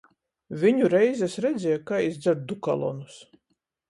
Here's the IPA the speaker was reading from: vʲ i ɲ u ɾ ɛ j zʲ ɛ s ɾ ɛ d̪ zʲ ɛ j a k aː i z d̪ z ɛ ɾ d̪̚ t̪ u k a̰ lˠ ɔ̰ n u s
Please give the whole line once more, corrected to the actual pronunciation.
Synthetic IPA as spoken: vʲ i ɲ u ɾ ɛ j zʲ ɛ s ɾ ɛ d̪ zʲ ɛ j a k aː i z d̪ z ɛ ɾ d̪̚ d̪ u k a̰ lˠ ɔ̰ n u s